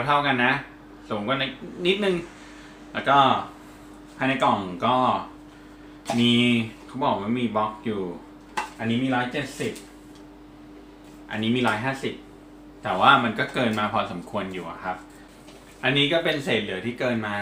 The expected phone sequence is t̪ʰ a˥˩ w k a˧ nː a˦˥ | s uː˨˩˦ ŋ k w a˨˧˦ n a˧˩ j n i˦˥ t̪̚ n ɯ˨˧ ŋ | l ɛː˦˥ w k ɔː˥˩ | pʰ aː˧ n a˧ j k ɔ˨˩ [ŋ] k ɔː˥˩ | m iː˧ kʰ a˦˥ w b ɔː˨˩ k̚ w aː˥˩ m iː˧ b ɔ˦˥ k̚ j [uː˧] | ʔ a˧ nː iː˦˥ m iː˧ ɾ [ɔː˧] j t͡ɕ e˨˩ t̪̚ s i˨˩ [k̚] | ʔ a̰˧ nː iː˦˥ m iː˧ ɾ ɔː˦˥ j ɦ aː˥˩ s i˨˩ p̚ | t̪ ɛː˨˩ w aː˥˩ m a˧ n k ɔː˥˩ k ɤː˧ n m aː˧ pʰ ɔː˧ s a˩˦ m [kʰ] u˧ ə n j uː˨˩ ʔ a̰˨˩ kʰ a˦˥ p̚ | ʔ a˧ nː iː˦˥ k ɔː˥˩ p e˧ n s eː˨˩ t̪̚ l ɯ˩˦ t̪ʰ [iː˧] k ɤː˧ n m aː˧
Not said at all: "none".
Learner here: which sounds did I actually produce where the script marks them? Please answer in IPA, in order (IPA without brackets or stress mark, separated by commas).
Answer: ŋ, uː˨˩, ɔː˦˥, p̚, kʰ, iː˥˩